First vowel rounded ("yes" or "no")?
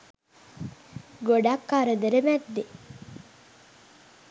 yes